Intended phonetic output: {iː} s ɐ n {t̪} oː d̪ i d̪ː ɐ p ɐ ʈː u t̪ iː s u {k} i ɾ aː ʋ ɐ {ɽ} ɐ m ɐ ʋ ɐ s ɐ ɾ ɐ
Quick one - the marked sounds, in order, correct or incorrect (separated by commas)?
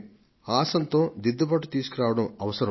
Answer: incorrect, correct, correct, correct